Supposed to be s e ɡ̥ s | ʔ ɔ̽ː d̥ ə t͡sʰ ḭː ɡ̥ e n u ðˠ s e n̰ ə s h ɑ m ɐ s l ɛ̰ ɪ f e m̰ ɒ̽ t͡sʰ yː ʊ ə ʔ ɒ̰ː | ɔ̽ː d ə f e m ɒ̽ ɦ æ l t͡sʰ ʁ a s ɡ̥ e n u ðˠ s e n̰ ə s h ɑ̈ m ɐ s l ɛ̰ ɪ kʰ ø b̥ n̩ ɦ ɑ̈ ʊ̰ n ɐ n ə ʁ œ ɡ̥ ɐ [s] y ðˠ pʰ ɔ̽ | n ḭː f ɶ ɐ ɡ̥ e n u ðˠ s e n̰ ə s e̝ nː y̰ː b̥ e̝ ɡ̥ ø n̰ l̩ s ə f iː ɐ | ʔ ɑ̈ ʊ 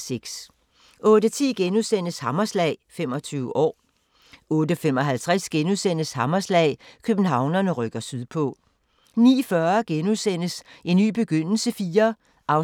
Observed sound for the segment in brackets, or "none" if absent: s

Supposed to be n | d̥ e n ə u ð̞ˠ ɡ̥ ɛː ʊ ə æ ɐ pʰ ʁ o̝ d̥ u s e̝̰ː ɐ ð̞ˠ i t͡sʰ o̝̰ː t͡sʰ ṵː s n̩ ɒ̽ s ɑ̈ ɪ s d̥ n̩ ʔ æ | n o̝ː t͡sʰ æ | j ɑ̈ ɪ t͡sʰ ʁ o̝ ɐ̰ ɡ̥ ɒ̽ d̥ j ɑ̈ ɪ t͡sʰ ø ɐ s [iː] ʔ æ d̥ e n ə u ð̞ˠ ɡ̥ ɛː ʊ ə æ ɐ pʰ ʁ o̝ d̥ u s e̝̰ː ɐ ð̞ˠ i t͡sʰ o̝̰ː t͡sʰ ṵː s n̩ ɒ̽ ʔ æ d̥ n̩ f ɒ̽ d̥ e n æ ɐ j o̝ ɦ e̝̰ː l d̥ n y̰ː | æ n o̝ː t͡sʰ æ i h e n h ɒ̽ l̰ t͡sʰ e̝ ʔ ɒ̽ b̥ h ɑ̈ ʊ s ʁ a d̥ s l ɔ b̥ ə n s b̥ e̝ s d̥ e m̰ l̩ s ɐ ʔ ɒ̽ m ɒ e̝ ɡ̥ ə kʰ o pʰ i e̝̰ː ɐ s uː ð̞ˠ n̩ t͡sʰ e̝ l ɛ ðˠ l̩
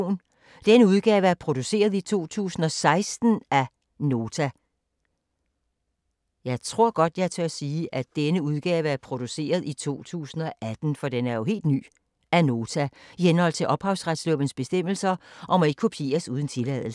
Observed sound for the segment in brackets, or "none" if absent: iː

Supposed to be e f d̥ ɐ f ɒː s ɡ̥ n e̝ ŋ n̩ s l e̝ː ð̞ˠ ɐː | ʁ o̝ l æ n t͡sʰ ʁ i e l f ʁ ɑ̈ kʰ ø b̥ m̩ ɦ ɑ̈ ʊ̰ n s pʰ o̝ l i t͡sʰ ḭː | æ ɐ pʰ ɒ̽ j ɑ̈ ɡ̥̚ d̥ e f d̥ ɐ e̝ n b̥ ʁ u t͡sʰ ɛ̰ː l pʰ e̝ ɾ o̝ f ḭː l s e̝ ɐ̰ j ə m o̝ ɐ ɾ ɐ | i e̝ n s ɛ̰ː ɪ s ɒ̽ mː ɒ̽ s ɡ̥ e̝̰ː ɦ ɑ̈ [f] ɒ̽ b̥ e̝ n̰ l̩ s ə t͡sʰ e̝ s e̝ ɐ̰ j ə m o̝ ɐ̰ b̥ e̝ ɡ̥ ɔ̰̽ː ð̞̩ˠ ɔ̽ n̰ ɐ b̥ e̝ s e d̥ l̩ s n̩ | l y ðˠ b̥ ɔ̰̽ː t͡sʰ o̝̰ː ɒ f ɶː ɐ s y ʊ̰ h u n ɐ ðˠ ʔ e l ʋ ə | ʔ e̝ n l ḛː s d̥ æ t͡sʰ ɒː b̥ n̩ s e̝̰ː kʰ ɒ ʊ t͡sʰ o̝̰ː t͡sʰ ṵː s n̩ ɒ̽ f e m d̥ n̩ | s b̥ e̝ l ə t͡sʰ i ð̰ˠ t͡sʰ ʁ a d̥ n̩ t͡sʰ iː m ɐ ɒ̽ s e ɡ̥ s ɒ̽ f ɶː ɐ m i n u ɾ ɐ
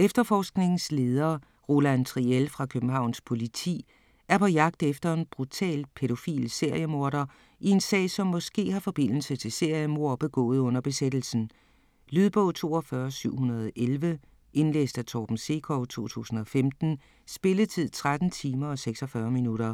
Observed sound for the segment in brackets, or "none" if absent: f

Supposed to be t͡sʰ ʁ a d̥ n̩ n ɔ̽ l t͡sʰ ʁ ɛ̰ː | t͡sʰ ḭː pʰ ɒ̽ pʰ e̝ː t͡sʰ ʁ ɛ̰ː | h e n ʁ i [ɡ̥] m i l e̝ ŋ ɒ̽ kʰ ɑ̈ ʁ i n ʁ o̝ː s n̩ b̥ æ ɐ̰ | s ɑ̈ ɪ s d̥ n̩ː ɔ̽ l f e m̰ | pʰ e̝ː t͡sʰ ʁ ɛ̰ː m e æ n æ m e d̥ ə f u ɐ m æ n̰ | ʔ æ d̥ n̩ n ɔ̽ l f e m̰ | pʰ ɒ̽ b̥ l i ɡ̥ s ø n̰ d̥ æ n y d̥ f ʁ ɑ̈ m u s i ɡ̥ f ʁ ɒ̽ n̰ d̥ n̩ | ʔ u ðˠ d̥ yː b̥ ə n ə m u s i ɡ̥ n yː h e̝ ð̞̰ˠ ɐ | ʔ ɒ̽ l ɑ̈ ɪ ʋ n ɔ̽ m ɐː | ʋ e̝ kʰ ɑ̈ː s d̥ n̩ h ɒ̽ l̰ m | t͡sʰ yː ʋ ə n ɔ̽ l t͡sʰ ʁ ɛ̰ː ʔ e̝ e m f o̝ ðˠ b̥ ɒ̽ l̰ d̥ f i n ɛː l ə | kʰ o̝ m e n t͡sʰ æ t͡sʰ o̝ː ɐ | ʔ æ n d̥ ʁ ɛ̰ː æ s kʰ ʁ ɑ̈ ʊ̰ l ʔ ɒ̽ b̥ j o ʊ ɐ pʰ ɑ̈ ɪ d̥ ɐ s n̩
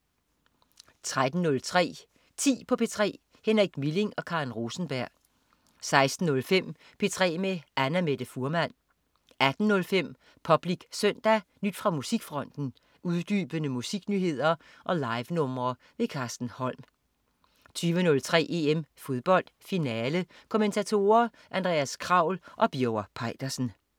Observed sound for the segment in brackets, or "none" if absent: ɡ̥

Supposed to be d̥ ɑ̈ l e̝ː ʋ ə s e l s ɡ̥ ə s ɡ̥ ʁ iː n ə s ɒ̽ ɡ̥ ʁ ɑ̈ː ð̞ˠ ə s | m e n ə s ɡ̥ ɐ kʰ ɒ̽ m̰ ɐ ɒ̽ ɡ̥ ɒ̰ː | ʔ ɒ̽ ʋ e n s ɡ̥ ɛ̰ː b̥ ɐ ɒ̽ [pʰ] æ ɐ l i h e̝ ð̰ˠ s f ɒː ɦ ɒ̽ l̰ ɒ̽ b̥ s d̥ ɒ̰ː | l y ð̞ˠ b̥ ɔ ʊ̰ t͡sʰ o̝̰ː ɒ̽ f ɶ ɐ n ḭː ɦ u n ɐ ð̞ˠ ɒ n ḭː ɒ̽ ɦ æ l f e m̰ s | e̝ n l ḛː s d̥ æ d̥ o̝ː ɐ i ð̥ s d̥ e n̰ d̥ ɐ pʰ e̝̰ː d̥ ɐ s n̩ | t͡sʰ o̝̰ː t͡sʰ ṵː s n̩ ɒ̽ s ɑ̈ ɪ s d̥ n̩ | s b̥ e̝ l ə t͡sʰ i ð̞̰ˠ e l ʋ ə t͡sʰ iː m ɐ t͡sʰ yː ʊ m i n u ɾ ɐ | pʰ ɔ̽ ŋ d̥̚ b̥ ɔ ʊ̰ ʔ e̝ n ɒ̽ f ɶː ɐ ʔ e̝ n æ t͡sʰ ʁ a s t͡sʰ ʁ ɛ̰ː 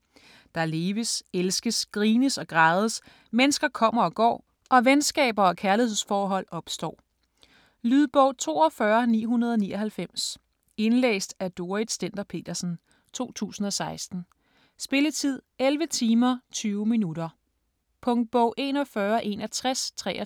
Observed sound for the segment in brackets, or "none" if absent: kʰ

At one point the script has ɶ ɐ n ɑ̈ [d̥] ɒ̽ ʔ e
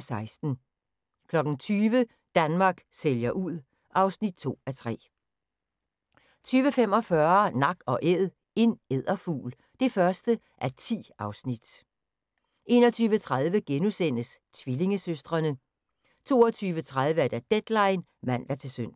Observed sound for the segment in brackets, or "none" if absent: ɡ̥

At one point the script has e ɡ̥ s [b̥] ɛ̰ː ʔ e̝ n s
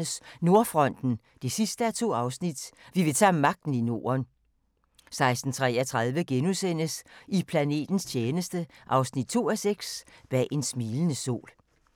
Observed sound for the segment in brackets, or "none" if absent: b̥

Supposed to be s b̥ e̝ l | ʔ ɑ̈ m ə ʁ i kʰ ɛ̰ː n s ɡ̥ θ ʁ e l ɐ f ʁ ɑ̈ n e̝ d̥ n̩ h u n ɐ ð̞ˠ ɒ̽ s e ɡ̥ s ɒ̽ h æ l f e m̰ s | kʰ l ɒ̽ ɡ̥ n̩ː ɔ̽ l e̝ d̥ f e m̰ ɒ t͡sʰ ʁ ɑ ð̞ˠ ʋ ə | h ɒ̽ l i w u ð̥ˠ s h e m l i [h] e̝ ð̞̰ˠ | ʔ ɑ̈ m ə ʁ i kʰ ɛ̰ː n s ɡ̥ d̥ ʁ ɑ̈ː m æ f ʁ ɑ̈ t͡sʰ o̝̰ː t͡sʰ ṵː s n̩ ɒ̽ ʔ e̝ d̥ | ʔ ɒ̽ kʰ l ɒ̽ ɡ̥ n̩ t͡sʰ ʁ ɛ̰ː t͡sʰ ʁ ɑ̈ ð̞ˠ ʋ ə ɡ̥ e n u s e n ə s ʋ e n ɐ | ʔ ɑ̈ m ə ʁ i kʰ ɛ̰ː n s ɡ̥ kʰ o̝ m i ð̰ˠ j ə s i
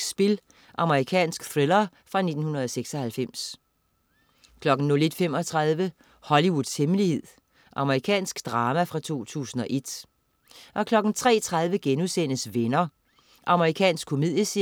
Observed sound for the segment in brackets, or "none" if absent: h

